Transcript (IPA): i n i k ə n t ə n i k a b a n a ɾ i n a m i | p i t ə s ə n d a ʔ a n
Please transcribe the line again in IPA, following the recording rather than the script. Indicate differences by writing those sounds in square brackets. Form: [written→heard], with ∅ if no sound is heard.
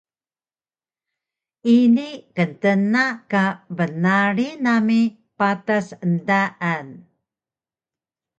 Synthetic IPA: i n i k ə n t ə n [i→a] k a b [a→ə] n a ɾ i n a m i | p [i→a] t [ə→a] s ə n d a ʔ a n